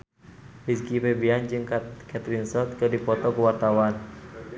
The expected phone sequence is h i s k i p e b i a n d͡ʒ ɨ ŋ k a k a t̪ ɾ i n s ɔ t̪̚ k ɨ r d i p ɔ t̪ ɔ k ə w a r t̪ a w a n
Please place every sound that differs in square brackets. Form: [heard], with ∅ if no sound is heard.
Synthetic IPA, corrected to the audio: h i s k i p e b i a n d͡ʒ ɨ ŋ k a k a t̪ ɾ i n s ɔ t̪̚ k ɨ r d i p ɔ t̪ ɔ k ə w a r t̪ a w a n